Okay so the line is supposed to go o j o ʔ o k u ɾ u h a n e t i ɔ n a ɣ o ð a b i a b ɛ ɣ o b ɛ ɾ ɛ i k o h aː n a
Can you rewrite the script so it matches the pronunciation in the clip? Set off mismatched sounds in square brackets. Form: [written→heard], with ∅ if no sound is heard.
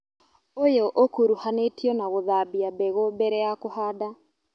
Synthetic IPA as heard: o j o ʔ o k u ɾ u h a n e t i ɔ n a ɣ o ð a b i a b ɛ ɣ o b ɛ ɾ ɛ [i→a] k o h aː [n→d] a